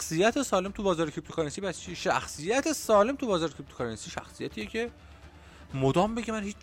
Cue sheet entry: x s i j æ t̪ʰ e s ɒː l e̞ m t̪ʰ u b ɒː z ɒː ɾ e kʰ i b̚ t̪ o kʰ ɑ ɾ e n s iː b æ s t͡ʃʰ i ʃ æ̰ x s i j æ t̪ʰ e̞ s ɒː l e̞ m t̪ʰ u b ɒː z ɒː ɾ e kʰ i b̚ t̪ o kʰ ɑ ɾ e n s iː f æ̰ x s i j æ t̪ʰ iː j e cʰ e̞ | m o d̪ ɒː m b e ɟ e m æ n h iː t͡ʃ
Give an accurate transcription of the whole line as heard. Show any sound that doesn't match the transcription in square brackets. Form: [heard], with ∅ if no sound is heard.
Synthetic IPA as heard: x s i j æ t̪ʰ e s ɒː l e̞ m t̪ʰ u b ɒː z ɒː ɾ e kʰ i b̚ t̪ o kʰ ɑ ɾ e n s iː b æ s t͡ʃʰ i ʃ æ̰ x s i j æ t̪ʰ e̞ s ɒː l e̞ m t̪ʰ u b ɒː z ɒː ɾ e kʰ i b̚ t̪ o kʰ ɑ ɾ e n s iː [ʃ] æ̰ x s i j æ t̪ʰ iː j e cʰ e̞ | m o d̪ ɒː m b e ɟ e m æ n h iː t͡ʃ